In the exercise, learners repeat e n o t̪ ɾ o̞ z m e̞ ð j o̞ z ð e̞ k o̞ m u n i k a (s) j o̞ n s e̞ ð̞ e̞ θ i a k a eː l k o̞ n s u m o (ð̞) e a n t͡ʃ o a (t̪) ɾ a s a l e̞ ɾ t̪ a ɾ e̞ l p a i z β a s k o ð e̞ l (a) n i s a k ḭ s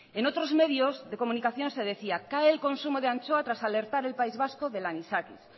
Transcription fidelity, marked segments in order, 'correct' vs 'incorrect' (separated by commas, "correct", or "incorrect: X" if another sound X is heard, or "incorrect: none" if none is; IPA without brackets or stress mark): incorrect: θ, correct, correct, correct